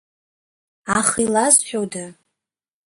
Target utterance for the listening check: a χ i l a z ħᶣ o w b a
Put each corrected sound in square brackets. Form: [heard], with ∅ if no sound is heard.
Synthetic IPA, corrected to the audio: a χ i l a z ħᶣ o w [d] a